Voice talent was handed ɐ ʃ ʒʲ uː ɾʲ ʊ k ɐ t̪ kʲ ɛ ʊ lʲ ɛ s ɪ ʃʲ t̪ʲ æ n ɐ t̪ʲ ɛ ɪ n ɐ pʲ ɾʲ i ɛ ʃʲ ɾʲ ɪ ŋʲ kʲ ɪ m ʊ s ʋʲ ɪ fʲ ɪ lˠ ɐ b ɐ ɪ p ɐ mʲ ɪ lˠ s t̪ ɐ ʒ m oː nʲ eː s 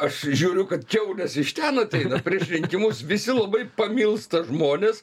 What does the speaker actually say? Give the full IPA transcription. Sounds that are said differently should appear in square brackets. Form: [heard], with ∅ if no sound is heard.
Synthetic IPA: ɐ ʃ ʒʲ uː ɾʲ ʊ k ɐ t̪ kʲ ɛ ʊ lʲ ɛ s ɪ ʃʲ t̪ʲ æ n ɐ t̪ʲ ɛ ɪ n ɐ pʲ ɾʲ i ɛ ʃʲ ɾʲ ɪ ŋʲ kʲ ɪ m ʊ s ʋʲ ɪ [sʲ] ɪ lˠ ɐ b ɐ ɪ p ɐ mʲ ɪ lˠ s t̪ ɐ ʒ m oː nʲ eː s

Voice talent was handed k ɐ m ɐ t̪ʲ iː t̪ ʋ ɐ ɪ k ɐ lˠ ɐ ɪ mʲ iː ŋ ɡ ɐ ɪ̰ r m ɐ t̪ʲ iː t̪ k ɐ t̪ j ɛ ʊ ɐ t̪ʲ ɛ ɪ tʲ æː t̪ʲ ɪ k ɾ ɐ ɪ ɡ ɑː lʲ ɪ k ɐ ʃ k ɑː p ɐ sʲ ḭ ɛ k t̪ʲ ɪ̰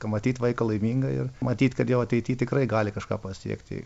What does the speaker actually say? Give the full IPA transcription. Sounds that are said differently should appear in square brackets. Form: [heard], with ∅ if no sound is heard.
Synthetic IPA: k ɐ m ɐ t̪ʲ iː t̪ ʋ ɐ ɪ k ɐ lˠ ɐ ɪ mʲ iː ŋ ɡ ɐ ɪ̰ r m ɐ t̪ʲ iː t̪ k ɐ t̪ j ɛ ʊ ɐ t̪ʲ ɛ ɪ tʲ [iː] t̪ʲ ɪ k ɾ ɐ ɪ ɡ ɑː lʲ ɪ k ɐ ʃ k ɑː p ɐ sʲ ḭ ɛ k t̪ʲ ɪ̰

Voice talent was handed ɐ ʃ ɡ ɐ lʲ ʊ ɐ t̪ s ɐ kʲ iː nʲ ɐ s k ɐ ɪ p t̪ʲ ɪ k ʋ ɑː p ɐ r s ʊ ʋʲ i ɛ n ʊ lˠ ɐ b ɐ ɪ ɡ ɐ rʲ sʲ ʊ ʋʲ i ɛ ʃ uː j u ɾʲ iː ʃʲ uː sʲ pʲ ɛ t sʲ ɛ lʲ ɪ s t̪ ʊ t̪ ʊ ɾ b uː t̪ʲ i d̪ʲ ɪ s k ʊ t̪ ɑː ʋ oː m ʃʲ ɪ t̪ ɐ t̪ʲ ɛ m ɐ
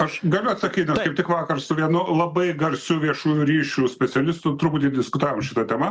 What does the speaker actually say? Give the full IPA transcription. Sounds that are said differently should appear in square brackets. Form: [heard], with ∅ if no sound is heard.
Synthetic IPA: ɐ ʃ ɡ ɐ lʲ ʊ ɐ t̪ s ɐ kʲ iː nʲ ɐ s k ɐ ɪ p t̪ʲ ɪ k ʋ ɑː [k] ɐ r s ʊ ʋʲ i ɛ n ʊ lˠ ɐ b ɐ ɪ ɡ ɐ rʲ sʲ ʊ ʋʲ i ɛ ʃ uː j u ɾʲ iː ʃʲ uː sʲ pʲ ɛ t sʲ ɛ lʲ ɪ s t̪ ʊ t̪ ʊ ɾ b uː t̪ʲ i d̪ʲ ɪ s k ʊ t̪ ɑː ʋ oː m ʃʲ ɪ t̪ ɐ t̪ʲ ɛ m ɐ

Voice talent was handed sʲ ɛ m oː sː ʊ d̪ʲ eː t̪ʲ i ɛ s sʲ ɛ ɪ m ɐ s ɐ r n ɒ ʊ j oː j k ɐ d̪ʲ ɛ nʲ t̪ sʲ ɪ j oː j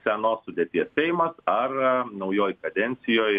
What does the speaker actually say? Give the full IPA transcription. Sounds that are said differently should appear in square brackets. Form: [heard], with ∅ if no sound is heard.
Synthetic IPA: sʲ ɛ [n] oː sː ʊ d̪ʲ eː t̪ʲ i ɛ s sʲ ɛ ɪ m ɐ s ɐ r n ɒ ʊ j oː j k ɐ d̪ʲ ɛ nʲ t̪ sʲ ɪ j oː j

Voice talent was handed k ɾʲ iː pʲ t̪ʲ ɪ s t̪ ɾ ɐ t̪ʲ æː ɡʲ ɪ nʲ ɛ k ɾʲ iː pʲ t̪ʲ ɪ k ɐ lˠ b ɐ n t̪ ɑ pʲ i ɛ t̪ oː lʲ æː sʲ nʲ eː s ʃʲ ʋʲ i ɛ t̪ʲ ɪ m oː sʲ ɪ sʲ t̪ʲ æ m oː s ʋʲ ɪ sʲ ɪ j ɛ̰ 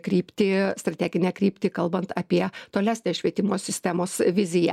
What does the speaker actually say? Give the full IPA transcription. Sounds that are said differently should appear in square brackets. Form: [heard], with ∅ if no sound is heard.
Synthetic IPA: k ɾʲ iː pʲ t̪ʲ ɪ s t̪ ɾ ɐ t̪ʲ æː ɡʲ ɪ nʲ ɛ k ɾʲ iː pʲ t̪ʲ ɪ k ɐ lˠ b ɐ n t̪ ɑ pʲ i ɛ t̪ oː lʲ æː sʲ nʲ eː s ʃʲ ʋʲ i ɛ t̪ʲ ɪ m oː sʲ ɪ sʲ t̪ʲ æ m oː s ʋʲ ɪ [zʲ] ɪ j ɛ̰

